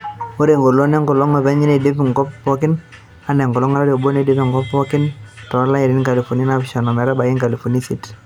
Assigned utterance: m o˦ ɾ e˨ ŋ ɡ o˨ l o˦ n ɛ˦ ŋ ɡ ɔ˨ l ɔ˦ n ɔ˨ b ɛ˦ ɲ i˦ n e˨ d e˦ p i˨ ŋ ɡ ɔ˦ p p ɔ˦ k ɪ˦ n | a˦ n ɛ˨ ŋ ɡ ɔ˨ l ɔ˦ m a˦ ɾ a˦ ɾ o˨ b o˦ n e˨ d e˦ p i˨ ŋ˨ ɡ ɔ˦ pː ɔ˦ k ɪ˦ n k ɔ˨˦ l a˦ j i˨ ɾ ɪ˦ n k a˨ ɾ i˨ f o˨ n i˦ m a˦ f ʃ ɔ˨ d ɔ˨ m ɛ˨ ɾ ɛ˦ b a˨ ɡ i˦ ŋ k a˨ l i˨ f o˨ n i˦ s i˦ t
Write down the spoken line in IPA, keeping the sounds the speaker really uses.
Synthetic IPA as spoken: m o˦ ɾ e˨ ŋ ɡ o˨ l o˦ n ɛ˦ ŋ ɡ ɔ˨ l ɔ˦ ŋ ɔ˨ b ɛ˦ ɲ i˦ n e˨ d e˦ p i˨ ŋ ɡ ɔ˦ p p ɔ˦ k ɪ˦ n | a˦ n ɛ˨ ŋ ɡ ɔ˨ l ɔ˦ ŋ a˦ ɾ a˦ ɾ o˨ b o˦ n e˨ d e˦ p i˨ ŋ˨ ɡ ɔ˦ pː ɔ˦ k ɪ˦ n t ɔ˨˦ l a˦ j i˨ ɾ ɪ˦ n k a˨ l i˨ f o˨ n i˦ n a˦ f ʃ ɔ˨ n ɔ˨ m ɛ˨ ɾ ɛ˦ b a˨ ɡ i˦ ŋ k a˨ l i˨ f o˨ n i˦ s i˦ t